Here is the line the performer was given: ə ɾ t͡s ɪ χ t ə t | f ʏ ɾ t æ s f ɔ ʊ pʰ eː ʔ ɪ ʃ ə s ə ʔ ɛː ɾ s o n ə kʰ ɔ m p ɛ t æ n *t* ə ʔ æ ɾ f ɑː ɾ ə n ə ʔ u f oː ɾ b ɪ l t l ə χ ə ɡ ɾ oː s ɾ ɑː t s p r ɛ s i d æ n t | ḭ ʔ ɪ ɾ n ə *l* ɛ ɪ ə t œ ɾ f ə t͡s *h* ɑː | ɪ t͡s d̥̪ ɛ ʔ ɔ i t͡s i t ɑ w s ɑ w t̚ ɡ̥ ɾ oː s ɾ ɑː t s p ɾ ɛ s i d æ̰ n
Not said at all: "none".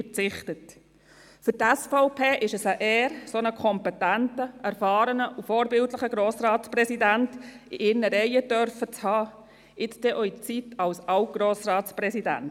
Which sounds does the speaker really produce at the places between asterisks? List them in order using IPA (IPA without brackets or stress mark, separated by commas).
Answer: t, ɾ, h